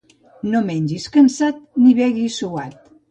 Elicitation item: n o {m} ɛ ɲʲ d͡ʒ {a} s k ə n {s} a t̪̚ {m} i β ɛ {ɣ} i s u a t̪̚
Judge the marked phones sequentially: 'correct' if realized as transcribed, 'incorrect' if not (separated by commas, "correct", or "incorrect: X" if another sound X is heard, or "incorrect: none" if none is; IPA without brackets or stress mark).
correct, incorrect: i, correct, incorrect: n, correct